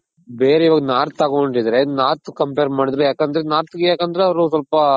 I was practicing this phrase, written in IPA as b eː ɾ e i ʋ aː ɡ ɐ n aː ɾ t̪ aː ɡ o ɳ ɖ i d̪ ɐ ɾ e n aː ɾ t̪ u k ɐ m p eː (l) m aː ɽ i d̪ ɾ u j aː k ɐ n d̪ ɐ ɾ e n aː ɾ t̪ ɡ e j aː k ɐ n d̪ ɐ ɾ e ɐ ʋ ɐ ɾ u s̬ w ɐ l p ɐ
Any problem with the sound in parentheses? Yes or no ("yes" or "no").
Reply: yes